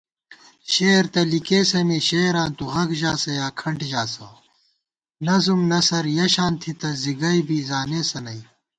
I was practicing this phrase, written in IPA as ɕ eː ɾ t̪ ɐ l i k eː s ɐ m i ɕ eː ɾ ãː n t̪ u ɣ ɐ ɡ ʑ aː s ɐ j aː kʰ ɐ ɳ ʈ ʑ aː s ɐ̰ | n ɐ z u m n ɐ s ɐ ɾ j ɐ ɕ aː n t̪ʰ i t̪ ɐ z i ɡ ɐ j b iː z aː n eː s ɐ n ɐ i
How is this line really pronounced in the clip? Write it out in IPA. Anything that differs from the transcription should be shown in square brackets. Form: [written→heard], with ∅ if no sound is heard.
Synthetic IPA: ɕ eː ɾ t̪ ɐ l i k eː s ɐ m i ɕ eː ɾ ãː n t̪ u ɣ ɐ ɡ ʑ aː s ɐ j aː kʰ ɐ ɳ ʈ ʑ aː s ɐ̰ | n ɐ z u m n ɐ s ɐ ɾ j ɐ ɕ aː n t̪ʰ i t̪ ɐ z i ɡ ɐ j b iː z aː n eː s ɐ n ɐ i